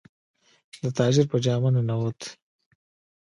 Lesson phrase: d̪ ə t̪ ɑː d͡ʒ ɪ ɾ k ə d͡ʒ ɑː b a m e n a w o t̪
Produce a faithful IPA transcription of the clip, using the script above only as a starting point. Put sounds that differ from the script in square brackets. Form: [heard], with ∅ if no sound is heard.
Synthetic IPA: d̪ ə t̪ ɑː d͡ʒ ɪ ɾ [p] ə d͡ʒ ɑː [m] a [n] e n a w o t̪